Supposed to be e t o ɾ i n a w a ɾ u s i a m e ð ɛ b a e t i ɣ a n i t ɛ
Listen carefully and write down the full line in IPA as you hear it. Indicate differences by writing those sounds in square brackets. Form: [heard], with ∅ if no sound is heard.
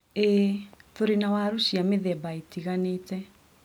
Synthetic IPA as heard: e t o ɾ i n a w a ɾ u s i a m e ð ɛ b a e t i ɣ a n [e] t ɛ